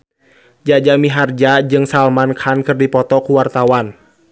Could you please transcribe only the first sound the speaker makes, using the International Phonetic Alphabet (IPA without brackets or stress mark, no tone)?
d͡ʒ